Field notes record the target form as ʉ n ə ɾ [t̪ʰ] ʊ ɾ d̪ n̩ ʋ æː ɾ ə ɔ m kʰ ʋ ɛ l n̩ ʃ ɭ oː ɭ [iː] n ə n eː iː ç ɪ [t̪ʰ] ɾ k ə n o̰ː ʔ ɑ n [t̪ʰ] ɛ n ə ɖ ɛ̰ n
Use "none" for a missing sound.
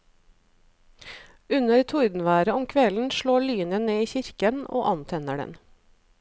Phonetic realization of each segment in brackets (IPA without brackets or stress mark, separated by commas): t̪ʰ, yː, none, t̪ʰ